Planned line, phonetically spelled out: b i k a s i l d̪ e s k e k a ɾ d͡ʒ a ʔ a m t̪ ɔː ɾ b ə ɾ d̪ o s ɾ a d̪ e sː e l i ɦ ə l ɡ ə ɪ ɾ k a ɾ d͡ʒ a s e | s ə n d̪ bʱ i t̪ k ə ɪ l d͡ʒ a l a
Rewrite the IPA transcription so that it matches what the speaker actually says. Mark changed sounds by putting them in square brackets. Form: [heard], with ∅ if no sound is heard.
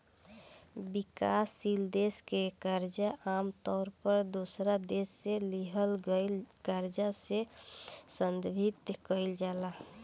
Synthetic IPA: b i k a s i l d̪ e s k e k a ɾ d͡ʒ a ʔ a m t̪ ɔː ɾ [p] ə ɾ d̪ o s ɾ a d̪ e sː e l i ɦ ə l ɡ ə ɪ [l] k a ɾ d͡ʒ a s e | s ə n d̪ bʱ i t̪ k ə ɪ l d͡ʒ a l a